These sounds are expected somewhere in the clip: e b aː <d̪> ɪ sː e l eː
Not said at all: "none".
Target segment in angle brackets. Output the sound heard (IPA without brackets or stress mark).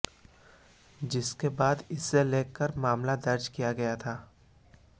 d̪